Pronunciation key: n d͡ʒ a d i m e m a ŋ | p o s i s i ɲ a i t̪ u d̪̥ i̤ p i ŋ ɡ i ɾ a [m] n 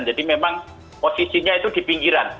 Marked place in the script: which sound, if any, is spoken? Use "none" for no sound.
none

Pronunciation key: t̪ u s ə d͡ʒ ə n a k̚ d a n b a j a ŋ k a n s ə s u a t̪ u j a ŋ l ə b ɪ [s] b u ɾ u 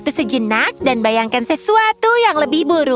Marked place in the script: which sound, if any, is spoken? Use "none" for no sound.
h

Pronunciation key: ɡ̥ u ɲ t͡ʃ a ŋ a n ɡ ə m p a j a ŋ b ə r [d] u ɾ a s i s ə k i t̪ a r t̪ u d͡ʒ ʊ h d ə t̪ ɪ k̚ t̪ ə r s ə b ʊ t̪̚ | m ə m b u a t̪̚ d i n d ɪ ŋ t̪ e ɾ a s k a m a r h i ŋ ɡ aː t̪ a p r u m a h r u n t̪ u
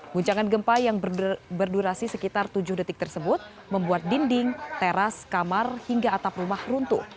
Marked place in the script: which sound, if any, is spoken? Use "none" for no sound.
d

